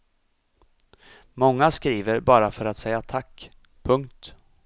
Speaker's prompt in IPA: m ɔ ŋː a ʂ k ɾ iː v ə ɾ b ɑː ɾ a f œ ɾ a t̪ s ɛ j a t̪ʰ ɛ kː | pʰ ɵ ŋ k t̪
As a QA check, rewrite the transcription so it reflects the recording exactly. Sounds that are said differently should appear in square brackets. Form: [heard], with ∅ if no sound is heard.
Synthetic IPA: m ɔ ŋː a [s] k ɾ iː v ə ɾ b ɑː ɾ a f œ ɾ a t̪ s ɛ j a t̪ʰ [a] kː | pʰ ɵ ŋ k t̪